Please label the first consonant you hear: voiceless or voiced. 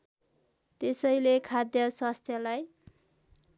voiceless